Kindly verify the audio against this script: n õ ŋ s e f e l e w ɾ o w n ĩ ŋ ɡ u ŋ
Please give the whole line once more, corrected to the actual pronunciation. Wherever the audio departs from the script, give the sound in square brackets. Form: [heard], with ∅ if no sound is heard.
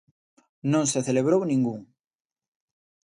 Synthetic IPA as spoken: n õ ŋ s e [θ] e l e [β] ɾ o w n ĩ ŋ ɡ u ŋ